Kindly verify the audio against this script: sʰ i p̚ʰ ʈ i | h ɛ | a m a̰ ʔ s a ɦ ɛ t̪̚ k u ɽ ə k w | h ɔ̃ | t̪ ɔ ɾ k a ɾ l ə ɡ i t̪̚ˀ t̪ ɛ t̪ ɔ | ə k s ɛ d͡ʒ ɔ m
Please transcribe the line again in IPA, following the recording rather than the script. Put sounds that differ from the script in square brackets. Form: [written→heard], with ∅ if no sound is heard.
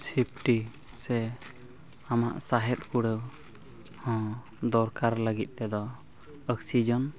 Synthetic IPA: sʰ i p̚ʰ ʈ i | [h→s] ɛ | a m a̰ ʔ s a ɦ ɛ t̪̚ k u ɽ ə [k→∅] w | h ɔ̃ | [t̪→d̪] ɔ ɾ k a ɾ l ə ɡ i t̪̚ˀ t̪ ɛ [t̪→d̪] ɔ | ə k s [ɛ→i] d͡ʒ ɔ [m→n]